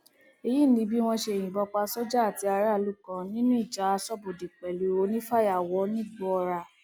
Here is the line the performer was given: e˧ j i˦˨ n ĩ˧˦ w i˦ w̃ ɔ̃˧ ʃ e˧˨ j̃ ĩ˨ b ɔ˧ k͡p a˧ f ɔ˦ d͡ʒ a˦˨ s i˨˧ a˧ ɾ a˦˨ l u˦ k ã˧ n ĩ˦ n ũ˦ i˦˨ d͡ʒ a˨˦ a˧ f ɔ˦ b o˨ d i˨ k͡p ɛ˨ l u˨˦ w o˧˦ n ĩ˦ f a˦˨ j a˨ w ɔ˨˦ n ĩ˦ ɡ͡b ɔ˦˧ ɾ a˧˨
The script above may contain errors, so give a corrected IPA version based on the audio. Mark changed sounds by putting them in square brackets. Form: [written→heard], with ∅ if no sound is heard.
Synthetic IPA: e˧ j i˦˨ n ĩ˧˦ [w→b] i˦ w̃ ɔ̃˧ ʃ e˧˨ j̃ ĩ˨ b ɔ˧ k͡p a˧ [f→s] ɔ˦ d͡ʒ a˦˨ [s→t] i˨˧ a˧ ɾ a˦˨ l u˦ k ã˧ n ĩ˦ n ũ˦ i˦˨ d͡ʒ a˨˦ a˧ [f→s] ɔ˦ b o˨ d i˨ k͡p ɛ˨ l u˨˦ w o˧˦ n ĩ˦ f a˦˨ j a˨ w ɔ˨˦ n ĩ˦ ɡ͡b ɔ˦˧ ɾ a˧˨

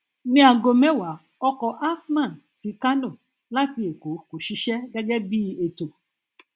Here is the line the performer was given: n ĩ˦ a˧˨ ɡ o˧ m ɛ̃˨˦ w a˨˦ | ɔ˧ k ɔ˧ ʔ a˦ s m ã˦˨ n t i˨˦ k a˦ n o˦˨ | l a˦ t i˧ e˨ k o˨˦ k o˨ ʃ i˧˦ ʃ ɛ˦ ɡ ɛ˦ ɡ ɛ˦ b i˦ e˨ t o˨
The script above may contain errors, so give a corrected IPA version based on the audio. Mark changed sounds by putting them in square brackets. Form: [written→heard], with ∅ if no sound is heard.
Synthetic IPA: n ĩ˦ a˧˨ ɡ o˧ m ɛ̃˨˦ w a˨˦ | ɔ˧ k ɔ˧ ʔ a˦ s m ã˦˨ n [t→s] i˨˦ k a˦ n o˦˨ | l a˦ t i˧ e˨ k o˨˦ k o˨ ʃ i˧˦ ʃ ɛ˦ ɡ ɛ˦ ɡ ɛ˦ b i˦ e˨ t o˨

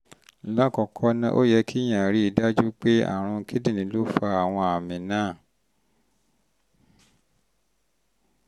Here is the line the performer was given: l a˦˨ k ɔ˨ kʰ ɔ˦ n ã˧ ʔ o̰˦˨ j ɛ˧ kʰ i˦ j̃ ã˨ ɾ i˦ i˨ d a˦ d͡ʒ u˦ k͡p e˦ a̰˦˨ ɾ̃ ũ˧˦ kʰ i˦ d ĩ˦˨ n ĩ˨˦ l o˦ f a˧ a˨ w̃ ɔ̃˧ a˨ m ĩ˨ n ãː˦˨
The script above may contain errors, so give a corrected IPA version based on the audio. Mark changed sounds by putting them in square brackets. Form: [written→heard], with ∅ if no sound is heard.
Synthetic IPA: l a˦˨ k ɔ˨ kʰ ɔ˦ n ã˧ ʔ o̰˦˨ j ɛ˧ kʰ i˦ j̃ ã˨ ɾ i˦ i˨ d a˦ d͡ʒ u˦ k͡p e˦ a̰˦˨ ɾ̃ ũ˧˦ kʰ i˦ d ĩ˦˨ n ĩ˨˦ l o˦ f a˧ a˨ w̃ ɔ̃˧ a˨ m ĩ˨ n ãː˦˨

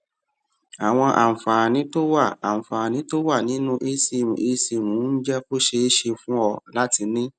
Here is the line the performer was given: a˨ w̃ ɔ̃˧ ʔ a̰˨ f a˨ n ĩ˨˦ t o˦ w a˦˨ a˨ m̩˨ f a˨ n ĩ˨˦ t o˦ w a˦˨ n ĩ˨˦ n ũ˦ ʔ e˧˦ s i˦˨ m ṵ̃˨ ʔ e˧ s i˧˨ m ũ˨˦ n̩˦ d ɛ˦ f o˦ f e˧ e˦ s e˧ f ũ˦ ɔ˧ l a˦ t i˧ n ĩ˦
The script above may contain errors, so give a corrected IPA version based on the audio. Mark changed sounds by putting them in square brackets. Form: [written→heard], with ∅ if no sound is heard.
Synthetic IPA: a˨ w̃ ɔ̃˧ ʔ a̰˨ f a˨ n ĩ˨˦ t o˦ w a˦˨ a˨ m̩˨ f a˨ n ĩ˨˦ t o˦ w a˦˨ n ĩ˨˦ n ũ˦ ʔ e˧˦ s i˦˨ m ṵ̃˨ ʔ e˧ s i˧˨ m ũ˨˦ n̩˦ [d→d͡ʒ] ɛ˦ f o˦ [f→ʃ] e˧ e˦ [s→ʃ] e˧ f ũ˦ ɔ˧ l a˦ t i˧ n ĩ˦

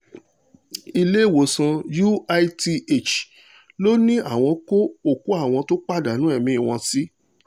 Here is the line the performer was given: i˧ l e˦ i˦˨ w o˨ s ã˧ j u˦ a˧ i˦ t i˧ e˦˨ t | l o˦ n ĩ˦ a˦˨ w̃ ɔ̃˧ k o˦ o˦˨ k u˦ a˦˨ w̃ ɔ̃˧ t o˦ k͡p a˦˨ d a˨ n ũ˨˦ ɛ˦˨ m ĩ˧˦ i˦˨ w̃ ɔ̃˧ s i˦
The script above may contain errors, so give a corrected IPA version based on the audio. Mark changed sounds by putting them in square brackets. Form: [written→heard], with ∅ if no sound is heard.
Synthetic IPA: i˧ l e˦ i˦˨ w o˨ s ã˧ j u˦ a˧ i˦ t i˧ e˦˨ [t→t͡ʃ] | l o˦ n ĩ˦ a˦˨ w̃ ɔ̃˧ k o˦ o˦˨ k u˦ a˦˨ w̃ ɔ̃˧ t o˦ k͡p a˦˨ d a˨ n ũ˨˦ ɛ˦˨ m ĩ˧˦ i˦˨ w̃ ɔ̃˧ s i˦

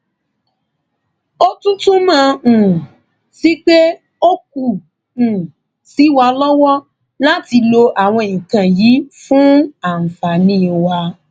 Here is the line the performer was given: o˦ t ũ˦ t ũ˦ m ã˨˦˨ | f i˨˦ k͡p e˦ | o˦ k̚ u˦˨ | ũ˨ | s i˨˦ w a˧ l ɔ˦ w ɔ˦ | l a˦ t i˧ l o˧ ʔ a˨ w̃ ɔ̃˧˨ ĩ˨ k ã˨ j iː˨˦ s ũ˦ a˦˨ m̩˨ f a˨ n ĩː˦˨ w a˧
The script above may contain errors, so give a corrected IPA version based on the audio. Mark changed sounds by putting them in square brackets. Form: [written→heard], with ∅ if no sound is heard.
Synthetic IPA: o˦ t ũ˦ t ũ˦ m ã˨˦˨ | [f→s] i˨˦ k͡p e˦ | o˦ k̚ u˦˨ | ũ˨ | s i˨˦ w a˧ l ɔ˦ w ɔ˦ | l a˦ t i˧ l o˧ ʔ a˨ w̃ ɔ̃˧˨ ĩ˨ k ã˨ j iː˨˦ [s→f] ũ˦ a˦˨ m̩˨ f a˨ n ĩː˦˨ w a˧

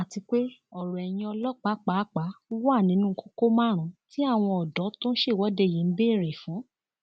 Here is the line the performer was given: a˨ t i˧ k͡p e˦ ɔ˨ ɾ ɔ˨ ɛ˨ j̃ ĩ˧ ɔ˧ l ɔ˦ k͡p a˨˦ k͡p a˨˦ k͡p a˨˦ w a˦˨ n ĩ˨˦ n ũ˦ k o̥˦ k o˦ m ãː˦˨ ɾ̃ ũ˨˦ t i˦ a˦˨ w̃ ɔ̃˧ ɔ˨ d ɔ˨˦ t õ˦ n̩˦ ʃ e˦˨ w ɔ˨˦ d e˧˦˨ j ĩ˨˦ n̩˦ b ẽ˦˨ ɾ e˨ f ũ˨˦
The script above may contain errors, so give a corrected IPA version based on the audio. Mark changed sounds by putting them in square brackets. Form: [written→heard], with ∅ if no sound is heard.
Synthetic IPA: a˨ t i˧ k͡p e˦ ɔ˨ ɾ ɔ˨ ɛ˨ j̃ ĩ˧ ɔ˧ l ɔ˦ k͡p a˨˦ k͡p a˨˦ k͡p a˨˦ w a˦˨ n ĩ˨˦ n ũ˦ k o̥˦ k o˦ m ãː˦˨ ɾ̃ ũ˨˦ t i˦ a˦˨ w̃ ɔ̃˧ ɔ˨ d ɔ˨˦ t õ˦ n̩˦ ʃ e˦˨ w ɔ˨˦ d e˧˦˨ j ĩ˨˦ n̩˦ b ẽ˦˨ ɾ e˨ f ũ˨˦

